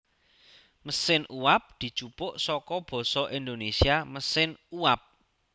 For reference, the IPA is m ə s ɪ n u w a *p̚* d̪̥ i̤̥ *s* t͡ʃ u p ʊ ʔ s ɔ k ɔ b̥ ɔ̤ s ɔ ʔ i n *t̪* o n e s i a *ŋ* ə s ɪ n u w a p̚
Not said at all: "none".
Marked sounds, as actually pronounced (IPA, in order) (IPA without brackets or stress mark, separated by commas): p̚, none, d̪, m